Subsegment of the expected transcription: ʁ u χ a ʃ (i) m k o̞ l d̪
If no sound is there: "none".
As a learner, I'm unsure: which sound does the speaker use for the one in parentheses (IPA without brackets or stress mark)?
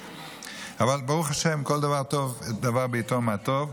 e